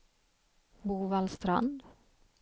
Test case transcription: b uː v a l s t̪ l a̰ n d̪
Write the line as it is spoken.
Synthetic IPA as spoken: b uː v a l s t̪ ɾ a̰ n d̪